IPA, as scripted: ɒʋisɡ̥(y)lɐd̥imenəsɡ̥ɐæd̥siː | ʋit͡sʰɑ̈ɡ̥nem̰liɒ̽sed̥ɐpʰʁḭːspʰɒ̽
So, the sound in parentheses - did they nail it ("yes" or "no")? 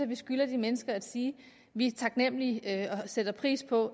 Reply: yes